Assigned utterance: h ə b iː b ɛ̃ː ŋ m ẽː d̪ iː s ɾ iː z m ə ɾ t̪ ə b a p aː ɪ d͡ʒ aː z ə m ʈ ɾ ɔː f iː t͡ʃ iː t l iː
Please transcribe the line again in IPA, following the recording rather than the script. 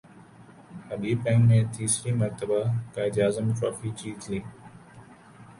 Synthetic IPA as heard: h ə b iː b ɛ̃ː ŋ m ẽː t̪ iː s ɾ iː m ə ɾ t̪ ə b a k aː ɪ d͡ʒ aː z ə m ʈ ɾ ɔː f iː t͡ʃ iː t l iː